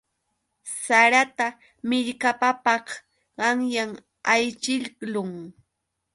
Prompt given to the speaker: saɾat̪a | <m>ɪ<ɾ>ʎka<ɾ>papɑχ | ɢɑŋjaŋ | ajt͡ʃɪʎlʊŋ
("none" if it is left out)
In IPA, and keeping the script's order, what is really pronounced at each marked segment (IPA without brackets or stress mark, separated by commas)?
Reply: m, none, none